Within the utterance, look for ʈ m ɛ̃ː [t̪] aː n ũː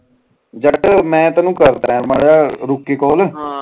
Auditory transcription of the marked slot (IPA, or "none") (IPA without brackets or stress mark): t̪